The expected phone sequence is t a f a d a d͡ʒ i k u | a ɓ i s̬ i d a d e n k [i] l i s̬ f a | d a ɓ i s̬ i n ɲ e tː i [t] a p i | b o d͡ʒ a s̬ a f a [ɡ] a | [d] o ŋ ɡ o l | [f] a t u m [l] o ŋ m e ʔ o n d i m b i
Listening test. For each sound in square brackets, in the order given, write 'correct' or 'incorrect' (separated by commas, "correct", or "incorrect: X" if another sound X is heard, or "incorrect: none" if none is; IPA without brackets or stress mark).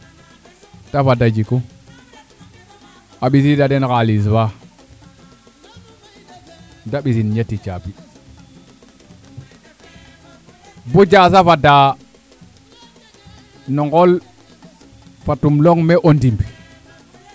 incorrect: a, incorrect: t͡ʃ, incorrect: d, incorrect: n, correct, correct